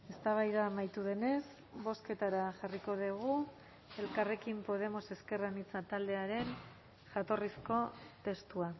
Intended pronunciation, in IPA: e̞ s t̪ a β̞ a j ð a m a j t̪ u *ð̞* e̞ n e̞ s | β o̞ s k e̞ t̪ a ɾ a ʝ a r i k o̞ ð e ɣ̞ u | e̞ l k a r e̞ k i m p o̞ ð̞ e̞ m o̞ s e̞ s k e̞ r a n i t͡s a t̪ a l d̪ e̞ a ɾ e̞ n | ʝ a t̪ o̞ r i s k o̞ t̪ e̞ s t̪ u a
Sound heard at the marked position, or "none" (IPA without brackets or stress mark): ð̞